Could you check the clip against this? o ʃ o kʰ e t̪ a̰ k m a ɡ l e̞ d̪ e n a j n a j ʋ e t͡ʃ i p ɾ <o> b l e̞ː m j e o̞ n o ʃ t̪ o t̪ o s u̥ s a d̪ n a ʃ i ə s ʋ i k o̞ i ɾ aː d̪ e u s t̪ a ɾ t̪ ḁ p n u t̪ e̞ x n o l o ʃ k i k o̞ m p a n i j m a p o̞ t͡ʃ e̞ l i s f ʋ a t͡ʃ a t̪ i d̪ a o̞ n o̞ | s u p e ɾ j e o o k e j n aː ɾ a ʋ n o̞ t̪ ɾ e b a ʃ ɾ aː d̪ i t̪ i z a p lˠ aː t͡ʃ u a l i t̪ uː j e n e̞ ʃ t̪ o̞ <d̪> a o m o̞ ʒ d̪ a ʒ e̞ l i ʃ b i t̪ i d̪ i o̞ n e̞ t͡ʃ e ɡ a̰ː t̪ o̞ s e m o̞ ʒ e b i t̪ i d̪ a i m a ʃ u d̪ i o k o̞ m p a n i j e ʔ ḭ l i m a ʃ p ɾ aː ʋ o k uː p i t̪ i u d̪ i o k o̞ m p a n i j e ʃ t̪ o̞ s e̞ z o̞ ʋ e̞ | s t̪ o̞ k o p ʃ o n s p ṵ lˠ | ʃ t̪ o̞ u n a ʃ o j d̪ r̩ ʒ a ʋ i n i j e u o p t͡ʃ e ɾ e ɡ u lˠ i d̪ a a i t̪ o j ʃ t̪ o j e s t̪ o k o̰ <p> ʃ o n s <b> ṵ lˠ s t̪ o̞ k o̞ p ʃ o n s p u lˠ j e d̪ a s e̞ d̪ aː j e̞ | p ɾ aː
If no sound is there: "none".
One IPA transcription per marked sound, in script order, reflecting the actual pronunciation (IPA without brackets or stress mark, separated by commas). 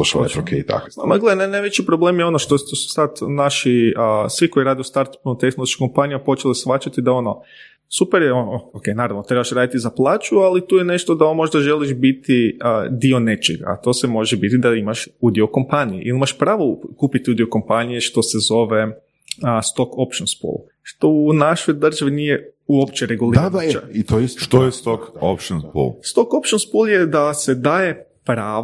o, d̪, p, p